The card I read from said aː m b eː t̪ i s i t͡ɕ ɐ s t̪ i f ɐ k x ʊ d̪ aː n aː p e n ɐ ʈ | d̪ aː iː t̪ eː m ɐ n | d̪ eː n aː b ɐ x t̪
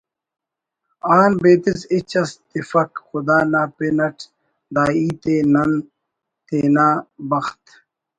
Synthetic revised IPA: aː n b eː t̪ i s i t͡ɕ ɐ s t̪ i f ɐ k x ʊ d̪ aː n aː p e n ɐ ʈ | d̪ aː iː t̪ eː n ɐ n | t̪ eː n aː b ɐ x t̪